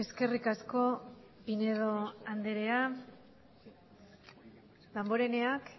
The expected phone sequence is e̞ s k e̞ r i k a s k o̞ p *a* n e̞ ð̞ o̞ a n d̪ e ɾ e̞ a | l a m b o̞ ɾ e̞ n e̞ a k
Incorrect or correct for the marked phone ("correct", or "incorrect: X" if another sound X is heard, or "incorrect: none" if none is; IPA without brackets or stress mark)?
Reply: incorrect: i